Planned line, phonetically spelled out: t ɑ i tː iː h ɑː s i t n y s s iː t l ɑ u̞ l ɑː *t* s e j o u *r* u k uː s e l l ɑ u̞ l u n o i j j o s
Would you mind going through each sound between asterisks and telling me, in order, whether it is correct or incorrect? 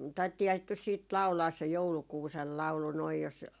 incorrect, incorrect

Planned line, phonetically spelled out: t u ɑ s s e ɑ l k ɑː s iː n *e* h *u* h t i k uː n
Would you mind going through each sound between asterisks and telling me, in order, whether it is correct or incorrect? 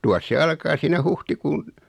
incorrect, correct

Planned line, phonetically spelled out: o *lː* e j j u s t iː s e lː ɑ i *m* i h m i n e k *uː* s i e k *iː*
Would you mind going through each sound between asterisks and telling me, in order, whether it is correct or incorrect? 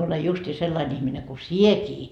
incorrect, incorrect, incorrect, correct

